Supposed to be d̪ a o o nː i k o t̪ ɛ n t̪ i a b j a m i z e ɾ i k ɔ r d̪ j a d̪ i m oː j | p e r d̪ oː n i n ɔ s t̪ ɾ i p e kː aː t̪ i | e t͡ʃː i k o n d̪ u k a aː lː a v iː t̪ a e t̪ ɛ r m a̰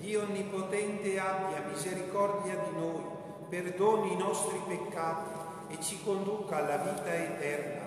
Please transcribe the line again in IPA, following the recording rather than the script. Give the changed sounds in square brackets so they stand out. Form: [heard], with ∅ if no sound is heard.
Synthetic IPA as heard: d̪ [i] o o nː i [p] o t̪ ɛ n t̪ [e] a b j a m i z e ɾ i k ɔ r d̪ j a d̪ i [n] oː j | p e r d̪ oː n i n ɔ s t̪ ɾ i p e kː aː t̪ i | e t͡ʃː i k o n d̪ u k a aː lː a v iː t̪ a e t̪ ɛ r [n] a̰